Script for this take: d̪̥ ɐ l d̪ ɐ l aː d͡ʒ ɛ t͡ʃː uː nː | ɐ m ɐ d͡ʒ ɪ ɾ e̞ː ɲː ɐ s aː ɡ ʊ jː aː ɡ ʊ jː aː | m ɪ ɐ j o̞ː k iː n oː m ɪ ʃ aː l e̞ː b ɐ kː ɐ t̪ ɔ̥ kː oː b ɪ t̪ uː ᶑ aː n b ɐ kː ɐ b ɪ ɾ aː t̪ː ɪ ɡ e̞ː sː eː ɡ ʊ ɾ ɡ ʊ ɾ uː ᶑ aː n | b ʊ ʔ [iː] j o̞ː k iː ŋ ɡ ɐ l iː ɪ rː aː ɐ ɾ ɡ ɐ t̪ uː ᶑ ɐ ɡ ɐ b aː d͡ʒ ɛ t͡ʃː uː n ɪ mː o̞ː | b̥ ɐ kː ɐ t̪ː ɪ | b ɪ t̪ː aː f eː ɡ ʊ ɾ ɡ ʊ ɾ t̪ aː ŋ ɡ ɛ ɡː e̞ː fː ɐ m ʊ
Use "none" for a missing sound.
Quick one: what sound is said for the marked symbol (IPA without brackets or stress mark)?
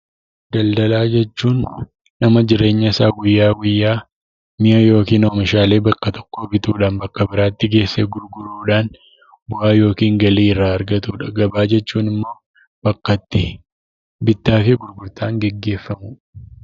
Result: aː